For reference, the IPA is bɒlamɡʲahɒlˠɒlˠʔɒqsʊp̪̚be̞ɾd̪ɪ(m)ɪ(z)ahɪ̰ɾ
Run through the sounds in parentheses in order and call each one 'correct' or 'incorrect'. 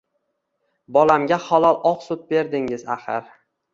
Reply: incorrect: ŋ, correct

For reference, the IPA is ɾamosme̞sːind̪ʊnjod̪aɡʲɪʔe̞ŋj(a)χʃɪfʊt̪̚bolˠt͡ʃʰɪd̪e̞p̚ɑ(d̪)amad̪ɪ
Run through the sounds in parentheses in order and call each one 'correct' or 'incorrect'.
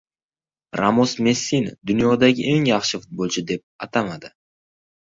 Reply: incorrect: ɑ, incorrect: t̪

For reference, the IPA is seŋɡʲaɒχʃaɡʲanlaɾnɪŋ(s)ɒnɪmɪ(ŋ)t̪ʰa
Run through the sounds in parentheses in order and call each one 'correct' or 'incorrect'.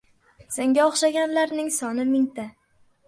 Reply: correct, correct

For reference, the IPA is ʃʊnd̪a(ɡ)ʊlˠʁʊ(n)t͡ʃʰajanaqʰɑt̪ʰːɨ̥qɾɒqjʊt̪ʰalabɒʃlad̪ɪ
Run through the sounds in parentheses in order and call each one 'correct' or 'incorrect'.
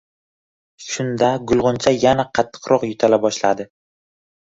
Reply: correct, correct

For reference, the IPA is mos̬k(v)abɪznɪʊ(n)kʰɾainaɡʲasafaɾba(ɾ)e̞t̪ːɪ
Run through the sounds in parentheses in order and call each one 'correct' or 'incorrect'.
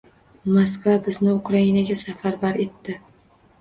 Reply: correct, incorrect: none, correct

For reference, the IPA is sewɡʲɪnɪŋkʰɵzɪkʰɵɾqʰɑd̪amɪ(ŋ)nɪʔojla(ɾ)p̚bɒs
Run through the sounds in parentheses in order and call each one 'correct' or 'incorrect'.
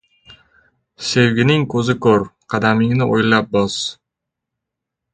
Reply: correct, incorrect: none

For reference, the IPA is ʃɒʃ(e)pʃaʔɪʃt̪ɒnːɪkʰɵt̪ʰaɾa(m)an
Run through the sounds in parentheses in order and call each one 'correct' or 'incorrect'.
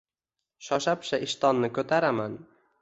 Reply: incorrect: a, correct

